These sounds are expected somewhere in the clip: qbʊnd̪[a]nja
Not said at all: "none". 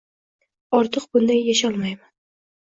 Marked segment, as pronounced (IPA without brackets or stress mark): a